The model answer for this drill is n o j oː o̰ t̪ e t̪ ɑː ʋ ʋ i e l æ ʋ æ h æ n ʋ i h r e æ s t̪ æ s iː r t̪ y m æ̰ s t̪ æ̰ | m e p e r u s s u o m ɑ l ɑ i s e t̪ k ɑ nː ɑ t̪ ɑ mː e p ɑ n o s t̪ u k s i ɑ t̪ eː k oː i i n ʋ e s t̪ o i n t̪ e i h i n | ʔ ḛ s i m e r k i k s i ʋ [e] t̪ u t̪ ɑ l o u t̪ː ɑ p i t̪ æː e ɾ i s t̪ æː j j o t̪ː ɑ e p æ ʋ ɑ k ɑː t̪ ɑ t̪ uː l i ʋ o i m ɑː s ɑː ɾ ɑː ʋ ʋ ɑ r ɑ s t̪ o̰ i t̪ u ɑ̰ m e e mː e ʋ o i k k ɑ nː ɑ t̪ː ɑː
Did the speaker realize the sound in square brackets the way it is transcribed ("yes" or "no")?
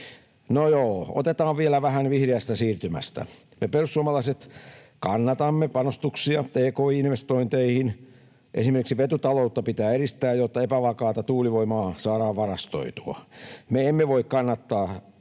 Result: yes